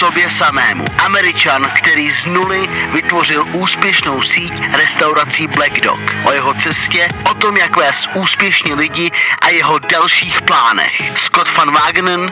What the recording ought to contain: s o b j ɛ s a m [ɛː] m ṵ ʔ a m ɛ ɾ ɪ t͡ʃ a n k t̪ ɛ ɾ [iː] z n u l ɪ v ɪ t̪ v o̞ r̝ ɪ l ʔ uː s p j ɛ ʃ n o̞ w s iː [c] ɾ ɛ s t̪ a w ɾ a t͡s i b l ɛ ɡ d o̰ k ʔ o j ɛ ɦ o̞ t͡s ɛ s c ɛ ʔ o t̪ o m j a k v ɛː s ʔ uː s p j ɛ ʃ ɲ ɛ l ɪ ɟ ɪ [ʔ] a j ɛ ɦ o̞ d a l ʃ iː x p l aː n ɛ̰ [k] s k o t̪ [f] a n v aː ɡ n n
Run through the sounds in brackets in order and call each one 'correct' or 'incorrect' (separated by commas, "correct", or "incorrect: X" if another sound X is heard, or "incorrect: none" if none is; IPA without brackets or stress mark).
correct, correct, correct, correct, incorrect: x, correct